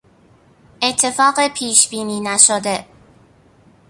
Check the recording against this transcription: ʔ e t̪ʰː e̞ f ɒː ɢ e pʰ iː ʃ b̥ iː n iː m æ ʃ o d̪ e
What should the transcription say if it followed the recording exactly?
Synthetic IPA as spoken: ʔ e t̪ʰː e̞ f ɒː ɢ e pʰ iː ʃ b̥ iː n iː n æ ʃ o d̪ e